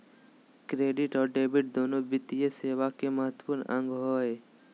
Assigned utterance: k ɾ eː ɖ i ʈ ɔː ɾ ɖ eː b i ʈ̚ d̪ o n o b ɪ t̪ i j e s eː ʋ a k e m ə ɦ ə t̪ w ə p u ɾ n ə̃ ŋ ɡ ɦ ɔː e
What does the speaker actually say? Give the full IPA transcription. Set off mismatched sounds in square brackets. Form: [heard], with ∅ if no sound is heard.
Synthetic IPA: k ɾ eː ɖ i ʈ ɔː ɾ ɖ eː b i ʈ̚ d̪ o n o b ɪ t̪ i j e s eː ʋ a k e m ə ɦ ə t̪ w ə p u ɾ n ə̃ ŋ ɡ ɦ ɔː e